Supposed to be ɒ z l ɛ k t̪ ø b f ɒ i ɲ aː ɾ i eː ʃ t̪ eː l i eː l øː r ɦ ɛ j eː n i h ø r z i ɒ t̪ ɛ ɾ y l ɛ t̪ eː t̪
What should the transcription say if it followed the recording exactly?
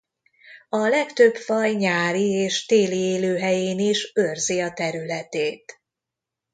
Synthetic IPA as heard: ɒ l ɛ k t̪ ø b f ɒ j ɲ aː ɾ i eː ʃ t̪ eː l i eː l øː ɦ ɛ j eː n i ʃ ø r z i ɒ t̪ ɛ ɾ y l ɛ t̪ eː t̪